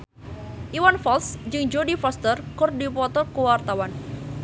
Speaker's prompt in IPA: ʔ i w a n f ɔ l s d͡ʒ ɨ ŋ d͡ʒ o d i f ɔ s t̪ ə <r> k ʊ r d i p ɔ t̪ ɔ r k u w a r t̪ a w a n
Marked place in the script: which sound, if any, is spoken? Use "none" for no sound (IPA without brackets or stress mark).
r